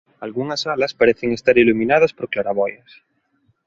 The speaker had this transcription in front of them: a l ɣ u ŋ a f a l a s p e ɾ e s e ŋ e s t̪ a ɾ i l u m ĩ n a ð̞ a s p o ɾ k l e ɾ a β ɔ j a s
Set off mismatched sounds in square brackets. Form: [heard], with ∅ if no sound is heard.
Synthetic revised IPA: a l ɣ u ŋ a [s] a l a s p [a] ɾ e [θ] e ŋ e s t̪ a ɾ i l u m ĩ n a ð̞ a s p o ɾ k l [a] ɾ a β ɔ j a s